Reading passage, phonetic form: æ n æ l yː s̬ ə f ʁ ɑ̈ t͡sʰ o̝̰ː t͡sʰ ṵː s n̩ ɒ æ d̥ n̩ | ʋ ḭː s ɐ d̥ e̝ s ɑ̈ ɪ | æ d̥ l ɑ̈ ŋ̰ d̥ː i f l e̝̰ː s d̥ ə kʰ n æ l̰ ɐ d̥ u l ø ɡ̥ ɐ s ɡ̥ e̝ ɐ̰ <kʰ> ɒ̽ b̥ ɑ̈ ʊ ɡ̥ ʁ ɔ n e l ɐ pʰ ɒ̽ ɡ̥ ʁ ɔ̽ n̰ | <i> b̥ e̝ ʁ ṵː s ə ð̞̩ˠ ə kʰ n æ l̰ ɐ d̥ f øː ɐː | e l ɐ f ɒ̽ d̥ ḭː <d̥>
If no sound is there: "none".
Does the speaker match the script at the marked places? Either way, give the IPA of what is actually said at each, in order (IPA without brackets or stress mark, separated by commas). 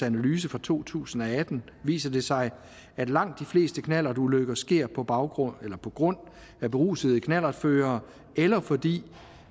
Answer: pʰ, æ, none